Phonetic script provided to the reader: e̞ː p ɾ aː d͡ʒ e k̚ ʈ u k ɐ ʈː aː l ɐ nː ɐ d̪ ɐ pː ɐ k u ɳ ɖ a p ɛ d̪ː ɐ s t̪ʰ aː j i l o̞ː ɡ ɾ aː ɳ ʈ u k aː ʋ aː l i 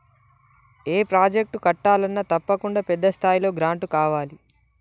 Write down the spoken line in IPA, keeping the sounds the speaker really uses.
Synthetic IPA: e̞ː p ɾ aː d͡ʒ e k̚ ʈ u k ɐ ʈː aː l ɐ nː ɐ t̪ ɐ pː ɐ k u ɳ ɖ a p ɛ d̪ː ɐ s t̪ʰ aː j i l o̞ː ɡ ɾ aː ɳ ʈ u k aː ʋ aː l i

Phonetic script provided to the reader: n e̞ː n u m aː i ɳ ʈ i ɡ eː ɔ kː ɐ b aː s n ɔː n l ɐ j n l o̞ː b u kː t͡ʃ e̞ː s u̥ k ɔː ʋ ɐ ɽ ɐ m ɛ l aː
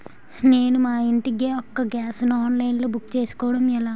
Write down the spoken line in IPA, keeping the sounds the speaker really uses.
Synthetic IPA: n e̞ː n u m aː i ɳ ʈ i ɡ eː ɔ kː ɐ ɡ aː s n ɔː n l ɐ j n l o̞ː b u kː t͡ʃ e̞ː s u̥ k ɔː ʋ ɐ ɽ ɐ m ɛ l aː

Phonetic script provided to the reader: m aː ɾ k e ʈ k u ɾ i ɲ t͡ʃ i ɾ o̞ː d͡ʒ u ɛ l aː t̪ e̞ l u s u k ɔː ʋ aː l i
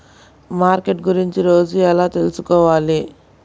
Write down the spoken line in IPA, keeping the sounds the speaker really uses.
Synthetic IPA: m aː ɾ k e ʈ ɡ u ɾ i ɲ t͡ʃ i ɾ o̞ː d͡ʒ u ɛ l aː t̪ e̞ l u s u k ɔː ʋ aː l i

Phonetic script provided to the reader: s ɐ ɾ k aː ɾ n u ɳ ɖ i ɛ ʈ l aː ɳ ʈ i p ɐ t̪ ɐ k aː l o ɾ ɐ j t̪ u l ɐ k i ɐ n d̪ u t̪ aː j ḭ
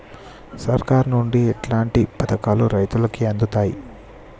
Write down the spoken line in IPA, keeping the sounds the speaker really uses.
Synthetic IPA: s ɐ ɾ k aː ɾ n u ɳ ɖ i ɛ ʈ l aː ɳ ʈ i p ɐ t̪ ɐ k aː l u ɾ ɐ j t̪ u l ɐ k i ɐ n d̪ u t̪ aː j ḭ

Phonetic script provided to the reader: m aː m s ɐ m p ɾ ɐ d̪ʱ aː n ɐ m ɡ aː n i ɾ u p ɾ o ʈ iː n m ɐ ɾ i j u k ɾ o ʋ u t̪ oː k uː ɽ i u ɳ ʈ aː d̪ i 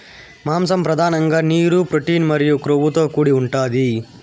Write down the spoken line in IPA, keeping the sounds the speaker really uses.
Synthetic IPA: m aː m s ɐ m p ɾ ɐ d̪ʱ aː n ɐ ŋ ɡ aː n iː ɾ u p ɾ o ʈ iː n m ɐ ɾ i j u k ɾ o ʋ u t̪ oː k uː ɽ i u ɳ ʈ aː d̪ i

